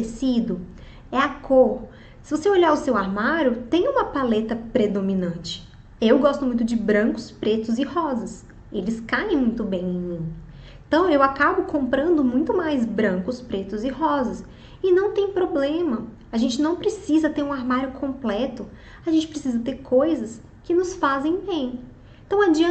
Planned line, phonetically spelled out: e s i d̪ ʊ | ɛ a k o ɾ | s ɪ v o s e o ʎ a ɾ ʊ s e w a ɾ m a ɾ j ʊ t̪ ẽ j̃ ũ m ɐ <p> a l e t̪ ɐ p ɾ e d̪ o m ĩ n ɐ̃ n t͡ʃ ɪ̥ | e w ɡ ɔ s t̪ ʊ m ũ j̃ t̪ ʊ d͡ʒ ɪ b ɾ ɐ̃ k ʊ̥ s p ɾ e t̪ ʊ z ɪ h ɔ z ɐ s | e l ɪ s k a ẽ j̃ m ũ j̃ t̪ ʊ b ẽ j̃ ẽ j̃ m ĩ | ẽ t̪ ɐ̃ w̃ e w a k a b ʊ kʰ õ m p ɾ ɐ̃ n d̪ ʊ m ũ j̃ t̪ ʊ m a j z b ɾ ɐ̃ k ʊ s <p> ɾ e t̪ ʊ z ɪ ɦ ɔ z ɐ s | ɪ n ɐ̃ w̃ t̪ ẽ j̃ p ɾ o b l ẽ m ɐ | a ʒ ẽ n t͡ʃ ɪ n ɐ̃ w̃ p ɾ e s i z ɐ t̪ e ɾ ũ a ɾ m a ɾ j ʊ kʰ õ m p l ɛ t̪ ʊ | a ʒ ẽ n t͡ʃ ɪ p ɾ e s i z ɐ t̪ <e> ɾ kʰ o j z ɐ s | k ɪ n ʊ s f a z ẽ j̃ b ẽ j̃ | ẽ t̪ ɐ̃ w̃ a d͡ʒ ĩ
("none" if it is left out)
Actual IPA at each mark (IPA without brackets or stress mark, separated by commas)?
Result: p, p, e